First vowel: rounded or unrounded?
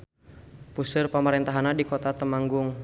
rounded